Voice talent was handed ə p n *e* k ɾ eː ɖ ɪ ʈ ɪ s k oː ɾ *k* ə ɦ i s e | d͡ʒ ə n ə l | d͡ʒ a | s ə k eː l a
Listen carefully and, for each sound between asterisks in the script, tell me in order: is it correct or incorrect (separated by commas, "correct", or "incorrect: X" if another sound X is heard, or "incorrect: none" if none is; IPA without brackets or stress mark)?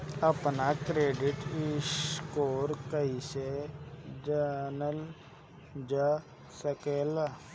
incorrect: a, correct